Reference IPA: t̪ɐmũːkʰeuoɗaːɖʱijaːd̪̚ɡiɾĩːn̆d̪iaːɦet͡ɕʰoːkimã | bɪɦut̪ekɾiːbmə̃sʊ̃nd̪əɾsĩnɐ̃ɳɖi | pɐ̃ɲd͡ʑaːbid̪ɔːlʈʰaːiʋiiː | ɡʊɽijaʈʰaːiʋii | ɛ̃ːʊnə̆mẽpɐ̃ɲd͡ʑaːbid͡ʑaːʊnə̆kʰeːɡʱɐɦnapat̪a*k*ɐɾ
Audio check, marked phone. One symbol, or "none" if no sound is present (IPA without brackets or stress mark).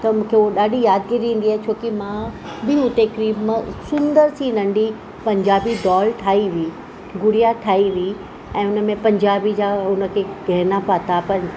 p